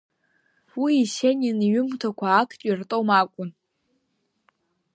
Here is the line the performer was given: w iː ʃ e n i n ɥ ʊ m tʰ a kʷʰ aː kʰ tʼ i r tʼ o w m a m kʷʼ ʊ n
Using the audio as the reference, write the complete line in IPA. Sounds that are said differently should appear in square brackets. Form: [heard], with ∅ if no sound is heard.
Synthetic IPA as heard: w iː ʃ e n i n ɥ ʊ m tʰ a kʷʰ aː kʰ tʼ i r tʼ o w m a [∅] kʷʼ ʊ n